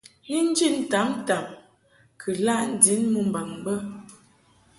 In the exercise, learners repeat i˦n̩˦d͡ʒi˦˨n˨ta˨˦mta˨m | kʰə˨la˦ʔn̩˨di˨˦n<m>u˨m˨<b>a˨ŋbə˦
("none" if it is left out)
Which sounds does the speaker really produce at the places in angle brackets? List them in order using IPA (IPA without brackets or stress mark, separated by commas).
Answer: m, b